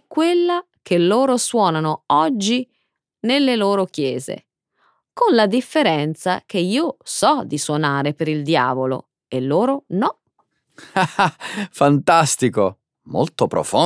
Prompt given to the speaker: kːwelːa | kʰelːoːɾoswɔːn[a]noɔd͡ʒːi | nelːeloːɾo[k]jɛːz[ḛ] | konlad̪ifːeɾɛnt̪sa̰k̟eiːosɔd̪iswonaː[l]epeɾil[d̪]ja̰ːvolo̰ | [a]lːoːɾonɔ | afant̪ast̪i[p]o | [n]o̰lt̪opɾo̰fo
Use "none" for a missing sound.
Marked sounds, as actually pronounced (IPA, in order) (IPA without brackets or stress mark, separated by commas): a, k, ḛ, ɾ, d̪, e, k, m